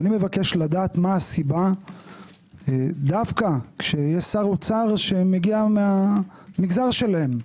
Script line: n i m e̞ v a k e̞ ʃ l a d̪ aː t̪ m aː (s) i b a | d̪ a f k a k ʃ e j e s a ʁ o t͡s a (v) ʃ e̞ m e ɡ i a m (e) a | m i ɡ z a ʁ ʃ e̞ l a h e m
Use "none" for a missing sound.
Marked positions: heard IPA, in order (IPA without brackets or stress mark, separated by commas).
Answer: s, ʁ, e